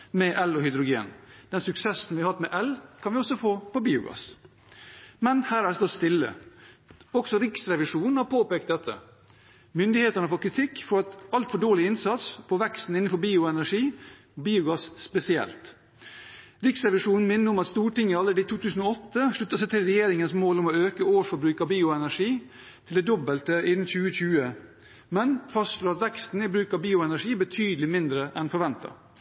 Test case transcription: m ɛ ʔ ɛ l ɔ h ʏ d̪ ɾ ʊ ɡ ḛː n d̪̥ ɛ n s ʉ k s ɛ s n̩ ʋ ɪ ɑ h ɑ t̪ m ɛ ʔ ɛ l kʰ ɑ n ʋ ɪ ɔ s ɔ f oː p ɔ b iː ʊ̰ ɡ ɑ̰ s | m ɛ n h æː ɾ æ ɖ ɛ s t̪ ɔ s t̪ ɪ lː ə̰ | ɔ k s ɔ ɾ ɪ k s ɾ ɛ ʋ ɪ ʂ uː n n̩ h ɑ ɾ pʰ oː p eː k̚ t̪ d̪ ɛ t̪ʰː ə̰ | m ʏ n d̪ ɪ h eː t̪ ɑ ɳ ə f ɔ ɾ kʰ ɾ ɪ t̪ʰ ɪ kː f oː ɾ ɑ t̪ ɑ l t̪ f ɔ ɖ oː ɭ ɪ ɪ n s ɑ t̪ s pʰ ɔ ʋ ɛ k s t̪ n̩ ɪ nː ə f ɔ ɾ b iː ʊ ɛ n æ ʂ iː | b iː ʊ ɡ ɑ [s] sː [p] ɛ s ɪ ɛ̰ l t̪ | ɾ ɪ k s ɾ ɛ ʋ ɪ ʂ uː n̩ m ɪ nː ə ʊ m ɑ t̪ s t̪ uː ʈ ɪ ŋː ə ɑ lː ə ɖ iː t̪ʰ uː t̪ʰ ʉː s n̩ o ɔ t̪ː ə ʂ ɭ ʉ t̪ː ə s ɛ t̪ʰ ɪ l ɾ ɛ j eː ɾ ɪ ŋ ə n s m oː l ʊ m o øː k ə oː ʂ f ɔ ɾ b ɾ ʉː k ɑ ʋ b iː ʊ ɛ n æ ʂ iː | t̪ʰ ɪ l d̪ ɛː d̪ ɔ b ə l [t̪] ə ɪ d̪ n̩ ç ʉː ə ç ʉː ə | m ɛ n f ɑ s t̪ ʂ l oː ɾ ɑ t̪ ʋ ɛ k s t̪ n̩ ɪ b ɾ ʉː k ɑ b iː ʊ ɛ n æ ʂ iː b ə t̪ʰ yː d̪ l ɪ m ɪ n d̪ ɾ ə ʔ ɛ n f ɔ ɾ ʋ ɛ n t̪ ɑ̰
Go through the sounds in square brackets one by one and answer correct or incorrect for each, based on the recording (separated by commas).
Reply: correct, correct, correct